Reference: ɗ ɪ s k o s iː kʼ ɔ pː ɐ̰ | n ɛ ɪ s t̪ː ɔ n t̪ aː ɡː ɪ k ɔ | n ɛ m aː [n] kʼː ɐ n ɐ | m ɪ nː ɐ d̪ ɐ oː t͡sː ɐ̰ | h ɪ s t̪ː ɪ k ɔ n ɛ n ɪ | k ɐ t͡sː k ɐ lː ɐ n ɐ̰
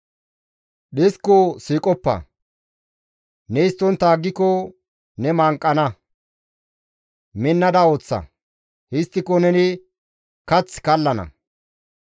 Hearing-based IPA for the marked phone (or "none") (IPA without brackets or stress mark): ŋ